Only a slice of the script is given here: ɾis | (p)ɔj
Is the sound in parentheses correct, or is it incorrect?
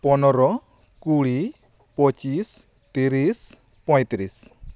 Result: correct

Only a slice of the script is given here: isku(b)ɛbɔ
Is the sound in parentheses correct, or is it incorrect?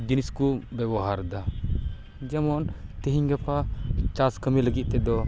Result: correct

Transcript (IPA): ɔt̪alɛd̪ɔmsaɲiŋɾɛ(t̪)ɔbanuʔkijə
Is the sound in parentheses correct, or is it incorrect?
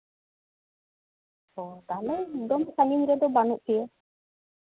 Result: incorrect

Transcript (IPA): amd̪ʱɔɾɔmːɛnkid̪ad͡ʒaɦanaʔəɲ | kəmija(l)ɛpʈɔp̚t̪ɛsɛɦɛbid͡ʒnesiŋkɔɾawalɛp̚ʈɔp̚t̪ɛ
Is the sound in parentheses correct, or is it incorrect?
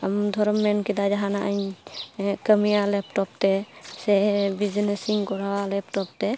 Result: correct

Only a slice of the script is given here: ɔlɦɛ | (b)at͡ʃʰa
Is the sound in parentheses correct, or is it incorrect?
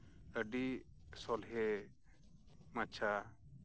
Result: incorrect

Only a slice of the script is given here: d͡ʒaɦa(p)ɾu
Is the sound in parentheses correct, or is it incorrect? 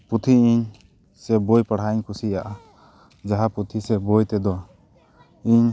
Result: correct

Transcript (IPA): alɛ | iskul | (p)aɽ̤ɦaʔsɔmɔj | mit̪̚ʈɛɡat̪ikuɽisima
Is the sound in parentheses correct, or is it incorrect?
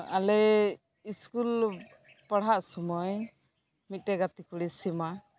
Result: correct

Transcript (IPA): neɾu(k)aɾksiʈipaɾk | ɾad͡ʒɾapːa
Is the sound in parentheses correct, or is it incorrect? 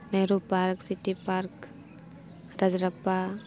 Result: incorrect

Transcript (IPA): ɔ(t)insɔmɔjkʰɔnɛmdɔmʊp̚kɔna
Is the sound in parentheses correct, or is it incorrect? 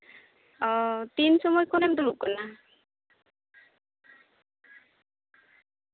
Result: correct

